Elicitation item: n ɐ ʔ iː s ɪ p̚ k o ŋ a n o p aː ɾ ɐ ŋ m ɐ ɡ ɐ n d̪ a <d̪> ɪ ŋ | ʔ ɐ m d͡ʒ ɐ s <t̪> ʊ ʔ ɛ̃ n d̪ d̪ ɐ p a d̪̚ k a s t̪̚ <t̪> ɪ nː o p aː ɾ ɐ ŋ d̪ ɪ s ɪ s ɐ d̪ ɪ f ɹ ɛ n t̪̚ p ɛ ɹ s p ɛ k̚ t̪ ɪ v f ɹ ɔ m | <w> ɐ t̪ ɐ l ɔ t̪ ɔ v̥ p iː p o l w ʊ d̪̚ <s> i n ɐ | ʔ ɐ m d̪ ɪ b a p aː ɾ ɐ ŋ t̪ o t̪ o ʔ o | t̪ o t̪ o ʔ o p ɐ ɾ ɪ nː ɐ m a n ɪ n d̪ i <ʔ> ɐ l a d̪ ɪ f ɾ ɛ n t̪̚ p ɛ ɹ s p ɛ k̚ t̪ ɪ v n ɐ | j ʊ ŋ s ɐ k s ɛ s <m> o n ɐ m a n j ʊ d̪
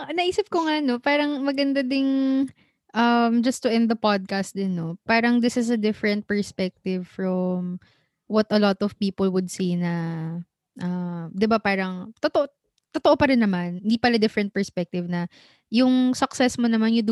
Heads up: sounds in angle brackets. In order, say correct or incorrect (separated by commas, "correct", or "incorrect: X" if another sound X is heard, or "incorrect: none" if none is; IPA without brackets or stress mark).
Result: correct, correct, incorrect: d̪, correct, correct, incorrect: p, correct